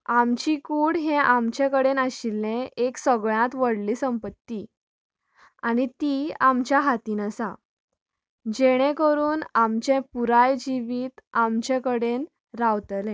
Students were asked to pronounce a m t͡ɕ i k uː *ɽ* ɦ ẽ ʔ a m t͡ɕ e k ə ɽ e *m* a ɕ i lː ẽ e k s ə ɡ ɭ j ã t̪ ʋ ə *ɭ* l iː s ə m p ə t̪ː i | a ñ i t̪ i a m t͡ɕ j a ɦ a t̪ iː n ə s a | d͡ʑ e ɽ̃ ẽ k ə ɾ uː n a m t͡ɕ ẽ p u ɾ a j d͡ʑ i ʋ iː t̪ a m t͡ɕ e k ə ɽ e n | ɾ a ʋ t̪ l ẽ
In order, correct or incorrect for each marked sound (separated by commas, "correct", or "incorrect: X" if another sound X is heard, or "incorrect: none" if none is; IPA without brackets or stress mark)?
correct, incorrect: n, incorrect: ɽ